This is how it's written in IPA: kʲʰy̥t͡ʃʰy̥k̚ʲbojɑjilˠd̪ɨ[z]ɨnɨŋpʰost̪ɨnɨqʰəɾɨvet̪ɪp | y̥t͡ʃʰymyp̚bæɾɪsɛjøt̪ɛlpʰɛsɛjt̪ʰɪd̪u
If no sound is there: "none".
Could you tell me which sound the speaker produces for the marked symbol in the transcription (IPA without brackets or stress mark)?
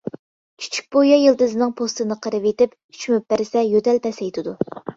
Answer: z